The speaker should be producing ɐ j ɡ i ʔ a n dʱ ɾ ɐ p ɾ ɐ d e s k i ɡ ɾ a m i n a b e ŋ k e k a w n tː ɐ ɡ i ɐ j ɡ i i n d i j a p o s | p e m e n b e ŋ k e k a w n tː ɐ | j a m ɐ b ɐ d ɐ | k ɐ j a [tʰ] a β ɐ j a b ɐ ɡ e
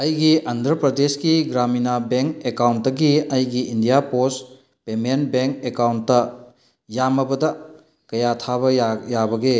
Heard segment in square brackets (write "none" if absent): tʰ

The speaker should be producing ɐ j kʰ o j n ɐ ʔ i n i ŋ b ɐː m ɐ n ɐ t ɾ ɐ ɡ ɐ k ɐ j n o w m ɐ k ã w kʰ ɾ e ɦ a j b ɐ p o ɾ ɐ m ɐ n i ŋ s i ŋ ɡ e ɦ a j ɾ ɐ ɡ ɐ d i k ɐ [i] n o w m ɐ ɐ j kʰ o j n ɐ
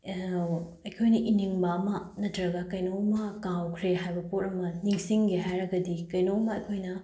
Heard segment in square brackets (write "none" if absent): j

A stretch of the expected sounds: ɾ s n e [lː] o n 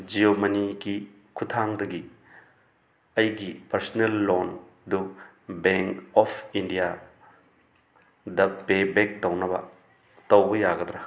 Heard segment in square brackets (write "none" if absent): lː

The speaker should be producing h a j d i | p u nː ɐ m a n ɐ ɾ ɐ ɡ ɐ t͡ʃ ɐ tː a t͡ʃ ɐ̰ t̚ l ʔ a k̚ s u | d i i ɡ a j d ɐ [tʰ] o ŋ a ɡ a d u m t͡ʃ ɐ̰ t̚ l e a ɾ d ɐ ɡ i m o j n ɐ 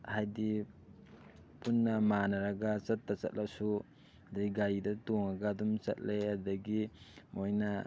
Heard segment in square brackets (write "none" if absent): t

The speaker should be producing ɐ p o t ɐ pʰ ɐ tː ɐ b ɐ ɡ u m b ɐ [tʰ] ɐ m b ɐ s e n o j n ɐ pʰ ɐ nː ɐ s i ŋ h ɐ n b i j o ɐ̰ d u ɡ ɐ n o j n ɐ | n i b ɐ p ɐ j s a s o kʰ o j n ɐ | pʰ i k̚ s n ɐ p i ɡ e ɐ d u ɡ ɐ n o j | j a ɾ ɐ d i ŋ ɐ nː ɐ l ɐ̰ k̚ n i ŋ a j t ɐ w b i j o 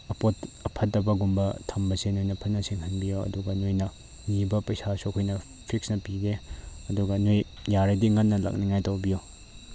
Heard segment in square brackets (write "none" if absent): tʰ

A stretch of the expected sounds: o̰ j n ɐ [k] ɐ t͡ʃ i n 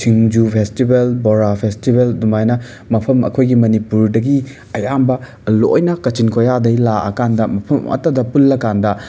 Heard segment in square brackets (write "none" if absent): k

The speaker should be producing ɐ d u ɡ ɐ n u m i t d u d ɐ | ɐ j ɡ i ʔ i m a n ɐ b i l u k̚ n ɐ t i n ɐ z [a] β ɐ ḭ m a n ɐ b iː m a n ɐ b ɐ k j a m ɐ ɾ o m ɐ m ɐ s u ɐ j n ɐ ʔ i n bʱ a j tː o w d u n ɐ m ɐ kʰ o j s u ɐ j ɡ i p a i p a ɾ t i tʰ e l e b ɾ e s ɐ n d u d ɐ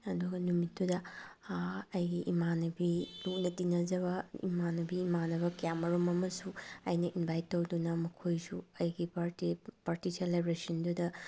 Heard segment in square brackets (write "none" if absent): ɐ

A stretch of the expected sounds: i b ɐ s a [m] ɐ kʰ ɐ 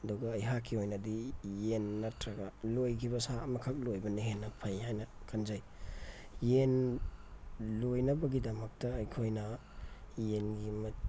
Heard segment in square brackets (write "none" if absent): m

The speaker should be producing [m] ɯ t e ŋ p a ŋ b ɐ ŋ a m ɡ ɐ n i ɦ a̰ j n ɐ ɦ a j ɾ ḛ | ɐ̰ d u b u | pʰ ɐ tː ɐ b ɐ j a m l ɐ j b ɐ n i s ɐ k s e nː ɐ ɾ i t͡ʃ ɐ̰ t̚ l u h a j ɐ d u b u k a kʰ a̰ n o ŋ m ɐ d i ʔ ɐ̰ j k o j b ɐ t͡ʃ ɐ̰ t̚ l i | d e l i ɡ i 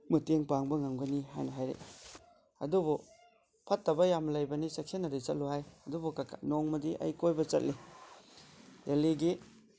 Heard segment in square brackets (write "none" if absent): m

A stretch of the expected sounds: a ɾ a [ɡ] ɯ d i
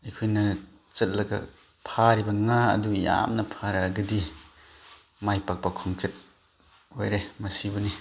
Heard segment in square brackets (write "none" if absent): ɡ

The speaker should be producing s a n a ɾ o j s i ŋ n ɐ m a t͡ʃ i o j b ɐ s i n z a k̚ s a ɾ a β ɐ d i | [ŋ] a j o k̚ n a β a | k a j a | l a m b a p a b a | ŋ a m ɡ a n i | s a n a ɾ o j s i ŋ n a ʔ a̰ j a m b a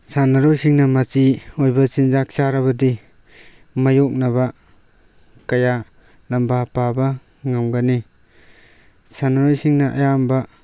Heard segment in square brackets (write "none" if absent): m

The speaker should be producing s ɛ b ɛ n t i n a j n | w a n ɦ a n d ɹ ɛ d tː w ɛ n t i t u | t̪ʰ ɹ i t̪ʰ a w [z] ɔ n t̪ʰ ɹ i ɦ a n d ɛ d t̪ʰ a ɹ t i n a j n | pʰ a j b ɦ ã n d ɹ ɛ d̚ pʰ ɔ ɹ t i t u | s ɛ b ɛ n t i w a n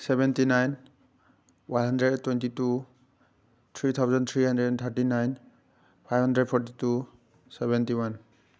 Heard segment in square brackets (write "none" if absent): z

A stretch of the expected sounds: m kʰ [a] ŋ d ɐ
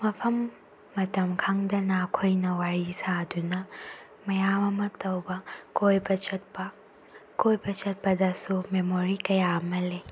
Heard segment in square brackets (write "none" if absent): a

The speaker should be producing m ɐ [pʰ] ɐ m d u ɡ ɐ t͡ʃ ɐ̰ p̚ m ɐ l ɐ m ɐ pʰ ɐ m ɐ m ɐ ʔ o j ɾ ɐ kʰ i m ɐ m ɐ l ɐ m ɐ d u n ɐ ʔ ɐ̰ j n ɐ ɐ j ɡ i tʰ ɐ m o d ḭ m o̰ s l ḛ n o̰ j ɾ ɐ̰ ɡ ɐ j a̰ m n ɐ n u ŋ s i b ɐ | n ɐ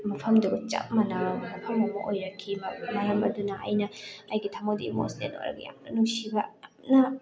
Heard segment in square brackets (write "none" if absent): pʰ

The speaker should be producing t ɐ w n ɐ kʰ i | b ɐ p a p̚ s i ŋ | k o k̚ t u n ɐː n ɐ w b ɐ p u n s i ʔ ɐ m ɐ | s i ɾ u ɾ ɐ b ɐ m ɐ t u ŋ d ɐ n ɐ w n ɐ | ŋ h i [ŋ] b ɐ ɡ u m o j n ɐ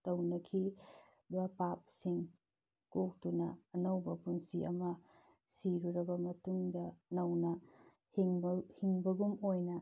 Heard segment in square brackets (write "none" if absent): ŋ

